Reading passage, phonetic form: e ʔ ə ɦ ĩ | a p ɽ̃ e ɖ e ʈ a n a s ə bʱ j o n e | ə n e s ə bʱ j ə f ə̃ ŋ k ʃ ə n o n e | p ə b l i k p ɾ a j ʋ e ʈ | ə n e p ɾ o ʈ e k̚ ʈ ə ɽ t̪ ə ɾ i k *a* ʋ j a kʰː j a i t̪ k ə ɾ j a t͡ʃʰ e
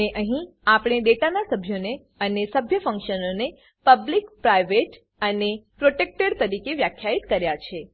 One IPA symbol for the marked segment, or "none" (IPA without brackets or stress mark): e